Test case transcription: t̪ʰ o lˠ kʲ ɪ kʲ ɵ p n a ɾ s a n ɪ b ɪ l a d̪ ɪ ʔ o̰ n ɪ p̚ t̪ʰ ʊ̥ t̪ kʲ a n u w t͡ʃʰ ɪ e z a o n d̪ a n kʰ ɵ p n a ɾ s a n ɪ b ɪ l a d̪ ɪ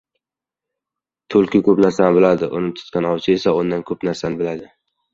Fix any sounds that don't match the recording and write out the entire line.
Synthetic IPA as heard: t̪ʰ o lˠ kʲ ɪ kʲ ɵ p n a ɾ s a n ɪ b ɪ l a d̪ ɪ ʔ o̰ n ɪ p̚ t̪ʰ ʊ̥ t̪ kʲ a n ɒ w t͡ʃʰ ɪ e s a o n d̪ a n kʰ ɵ p n a ɾ s a n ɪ b ɪ l a d̪ ɪ